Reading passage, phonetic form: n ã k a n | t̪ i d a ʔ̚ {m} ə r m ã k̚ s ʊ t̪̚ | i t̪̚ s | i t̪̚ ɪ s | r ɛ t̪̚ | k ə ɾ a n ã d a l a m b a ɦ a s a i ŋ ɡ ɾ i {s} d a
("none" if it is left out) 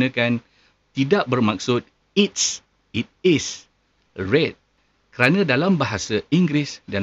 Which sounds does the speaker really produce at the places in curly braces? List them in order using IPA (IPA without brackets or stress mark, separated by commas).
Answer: b, s